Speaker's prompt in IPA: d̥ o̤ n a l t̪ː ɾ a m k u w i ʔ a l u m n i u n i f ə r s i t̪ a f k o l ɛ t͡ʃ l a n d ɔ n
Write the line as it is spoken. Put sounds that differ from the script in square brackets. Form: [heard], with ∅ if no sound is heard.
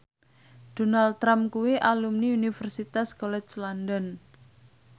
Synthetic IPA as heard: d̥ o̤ n a l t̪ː ɾ a m k u w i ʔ a l u m n i u n i f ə r s i t̪ a [s] k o l ɛ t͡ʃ l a n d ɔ n